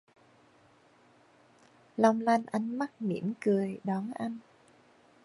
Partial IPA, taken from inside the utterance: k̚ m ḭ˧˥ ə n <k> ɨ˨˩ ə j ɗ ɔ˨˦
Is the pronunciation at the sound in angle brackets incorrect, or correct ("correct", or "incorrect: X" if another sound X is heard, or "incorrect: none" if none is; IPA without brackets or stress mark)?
correct